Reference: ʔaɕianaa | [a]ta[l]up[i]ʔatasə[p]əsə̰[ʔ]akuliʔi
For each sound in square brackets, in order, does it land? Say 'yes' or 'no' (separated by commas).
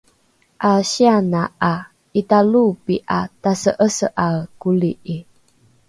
no, yes, yes, no, yes